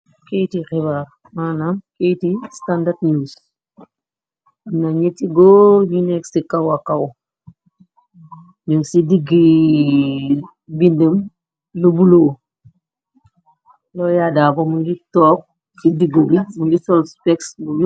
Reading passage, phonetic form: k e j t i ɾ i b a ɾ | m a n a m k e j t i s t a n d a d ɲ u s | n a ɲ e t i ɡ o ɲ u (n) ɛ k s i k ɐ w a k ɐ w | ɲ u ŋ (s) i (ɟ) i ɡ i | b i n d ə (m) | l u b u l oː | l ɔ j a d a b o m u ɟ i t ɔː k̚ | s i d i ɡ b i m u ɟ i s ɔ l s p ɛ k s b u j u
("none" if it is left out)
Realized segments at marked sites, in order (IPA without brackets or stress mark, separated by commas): n, s, d, m